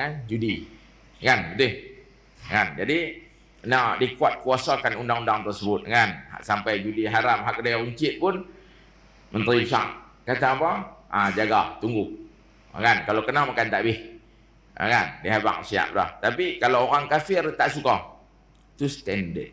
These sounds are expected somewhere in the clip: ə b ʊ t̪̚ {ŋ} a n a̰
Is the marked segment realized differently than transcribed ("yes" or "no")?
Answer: no